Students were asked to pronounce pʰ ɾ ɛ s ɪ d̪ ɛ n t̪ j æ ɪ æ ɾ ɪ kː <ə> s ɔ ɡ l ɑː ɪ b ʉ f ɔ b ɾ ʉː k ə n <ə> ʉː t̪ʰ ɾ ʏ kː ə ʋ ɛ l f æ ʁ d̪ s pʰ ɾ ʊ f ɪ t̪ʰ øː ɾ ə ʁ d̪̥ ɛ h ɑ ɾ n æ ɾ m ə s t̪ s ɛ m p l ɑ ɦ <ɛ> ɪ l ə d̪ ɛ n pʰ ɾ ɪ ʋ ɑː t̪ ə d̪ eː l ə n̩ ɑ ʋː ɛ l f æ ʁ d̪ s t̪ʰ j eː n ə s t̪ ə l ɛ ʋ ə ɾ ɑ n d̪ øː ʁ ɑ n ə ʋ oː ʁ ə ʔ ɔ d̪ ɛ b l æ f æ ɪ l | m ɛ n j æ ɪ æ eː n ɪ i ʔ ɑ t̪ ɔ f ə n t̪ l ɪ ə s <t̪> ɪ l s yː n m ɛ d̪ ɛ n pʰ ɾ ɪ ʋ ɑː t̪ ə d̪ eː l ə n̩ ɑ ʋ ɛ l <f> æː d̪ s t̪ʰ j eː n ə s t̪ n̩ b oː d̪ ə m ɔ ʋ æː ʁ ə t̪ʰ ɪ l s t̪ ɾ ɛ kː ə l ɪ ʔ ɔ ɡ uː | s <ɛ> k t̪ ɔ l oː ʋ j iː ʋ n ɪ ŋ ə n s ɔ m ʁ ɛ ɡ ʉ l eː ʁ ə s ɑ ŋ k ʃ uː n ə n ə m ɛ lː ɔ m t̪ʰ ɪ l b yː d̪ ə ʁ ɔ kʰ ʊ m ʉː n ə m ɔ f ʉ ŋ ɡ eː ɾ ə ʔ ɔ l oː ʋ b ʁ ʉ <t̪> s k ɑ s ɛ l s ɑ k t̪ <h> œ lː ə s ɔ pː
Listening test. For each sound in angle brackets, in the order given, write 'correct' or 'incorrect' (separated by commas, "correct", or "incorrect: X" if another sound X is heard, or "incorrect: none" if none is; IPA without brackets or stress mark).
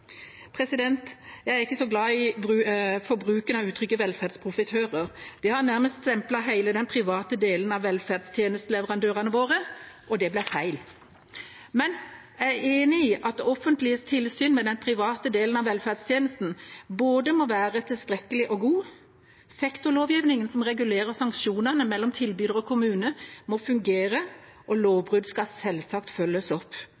correct, incorrect: ɑ, incorrect: æ, incorrect: t̪ʰ, correct, correct, incorrect: d̪, incorrect: f